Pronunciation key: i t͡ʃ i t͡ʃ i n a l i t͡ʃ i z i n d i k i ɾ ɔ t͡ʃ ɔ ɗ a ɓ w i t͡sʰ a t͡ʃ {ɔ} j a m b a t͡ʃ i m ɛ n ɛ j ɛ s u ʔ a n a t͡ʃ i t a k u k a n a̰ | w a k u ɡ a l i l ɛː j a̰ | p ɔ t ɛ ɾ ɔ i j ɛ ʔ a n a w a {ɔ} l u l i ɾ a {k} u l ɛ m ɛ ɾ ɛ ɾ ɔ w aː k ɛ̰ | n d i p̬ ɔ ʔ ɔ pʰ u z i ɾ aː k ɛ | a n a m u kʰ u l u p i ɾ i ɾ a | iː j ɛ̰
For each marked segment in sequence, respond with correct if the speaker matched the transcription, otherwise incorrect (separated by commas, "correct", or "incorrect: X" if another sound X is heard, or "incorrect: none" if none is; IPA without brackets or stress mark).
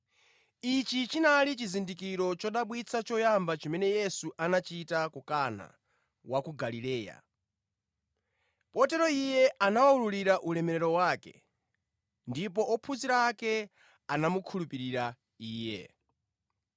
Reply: correct, incorrect: u, incorrect: ʔ